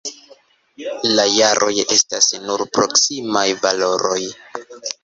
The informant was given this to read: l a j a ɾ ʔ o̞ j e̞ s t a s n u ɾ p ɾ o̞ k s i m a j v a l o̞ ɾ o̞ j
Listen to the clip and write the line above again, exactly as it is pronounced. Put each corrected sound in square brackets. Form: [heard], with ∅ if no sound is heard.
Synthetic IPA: l a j a ɾ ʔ o̞ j e̞ s t a s n u ɾ p ɾ o̞ k s i m a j v a l o̞ ɾ o̞ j